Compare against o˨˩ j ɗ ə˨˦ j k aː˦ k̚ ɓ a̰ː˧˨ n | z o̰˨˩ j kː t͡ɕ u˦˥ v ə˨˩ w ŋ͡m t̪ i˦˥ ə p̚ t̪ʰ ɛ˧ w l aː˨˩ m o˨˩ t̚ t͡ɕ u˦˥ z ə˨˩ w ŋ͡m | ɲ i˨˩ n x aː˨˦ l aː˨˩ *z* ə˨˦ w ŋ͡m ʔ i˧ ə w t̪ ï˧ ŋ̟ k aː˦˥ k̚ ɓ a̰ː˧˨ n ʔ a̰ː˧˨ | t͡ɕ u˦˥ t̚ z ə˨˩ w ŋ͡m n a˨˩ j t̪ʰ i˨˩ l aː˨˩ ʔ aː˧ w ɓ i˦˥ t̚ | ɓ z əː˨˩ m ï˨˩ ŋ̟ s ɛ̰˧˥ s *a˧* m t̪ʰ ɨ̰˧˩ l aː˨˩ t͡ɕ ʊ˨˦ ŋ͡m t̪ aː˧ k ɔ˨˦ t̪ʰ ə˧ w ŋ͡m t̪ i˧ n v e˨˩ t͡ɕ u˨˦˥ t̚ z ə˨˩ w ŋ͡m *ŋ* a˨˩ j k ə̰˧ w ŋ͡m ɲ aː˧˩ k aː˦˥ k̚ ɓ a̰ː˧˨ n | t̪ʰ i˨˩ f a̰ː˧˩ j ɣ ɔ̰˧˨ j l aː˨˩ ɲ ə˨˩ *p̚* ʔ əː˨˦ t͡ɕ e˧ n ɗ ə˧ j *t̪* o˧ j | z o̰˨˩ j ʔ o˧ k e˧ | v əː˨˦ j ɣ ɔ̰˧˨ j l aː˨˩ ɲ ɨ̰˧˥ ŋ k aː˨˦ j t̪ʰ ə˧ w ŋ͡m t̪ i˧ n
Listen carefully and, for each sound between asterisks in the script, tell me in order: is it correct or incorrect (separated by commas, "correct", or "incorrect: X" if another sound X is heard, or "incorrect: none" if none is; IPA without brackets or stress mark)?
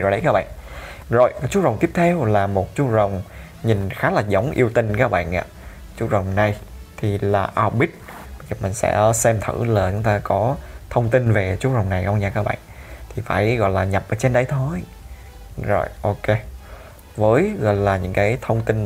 correct, incorrect: ɛ˧, incorrect: n, correct, incorrect: t̪ʰ